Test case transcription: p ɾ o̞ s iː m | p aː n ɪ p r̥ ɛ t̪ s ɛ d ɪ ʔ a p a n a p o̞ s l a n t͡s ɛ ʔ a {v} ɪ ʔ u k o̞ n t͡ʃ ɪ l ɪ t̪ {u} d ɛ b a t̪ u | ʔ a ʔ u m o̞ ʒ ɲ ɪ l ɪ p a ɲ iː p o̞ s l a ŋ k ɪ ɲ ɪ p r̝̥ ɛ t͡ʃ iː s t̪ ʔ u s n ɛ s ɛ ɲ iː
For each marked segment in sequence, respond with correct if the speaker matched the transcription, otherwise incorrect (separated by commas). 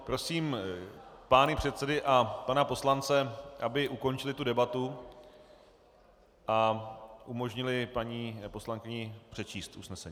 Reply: incorrect, correct